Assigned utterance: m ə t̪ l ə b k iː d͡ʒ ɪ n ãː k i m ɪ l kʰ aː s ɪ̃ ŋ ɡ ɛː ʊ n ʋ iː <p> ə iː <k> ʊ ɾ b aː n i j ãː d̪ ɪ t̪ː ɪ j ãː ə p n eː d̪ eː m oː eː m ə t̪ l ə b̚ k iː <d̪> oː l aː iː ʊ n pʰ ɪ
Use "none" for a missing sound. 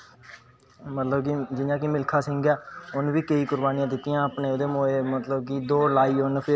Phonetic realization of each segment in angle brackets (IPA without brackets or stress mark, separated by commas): k, k, d̪